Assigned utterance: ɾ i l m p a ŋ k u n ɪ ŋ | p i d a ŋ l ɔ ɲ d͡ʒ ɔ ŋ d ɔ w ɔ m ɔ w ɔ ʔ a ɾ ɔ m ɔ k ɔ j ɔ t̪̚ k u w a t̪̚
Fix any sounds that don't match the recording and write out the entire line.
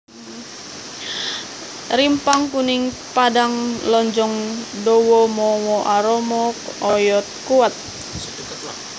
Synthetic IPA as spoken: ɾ i m p a ŋ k u n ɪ ŋ | p a d a ŋ l ɔ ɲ d͡ʒ ɔ ŋ d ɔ w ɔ m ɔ w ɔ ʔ a ɾ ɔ m ɔ k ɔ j ɔ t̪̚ k u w a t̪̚